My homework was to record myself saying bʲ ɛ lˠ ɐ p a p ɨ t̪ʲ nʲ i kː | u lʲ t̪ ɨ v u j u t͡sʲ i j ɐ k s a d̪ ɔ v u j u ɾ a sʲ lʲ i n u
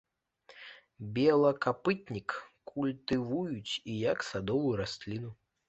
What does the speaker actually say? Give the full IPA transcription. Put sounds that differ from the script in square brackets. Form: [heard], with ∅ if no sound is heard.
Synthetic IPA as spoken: bʲ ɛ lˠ ɐ [k] a p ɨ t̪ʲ nʲ i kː | u lʲ t̪ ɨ v u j u t͡sʲ i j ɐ k s a d̪ ɔ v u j u ɾ a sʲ lʲ i n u